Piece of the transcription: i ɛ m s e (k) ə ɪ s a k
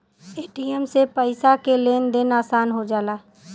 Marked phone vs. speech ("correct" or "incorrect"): incorrect